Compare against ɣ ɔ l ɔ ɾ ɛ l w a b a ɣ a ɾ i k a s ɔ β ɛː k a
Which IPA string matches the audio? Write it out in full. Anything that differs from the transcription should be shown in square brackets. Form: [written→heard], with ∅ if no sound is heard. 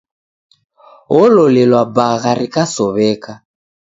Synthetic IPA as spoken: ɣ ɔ l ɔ [ɾ→l] ɛ l w a b a ɣ a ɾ i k a s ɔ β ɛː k a